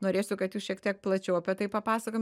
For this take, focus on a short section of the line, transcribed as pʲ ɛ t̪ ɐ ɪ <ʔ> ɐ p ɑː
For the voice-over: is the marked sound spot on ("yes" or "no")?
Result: no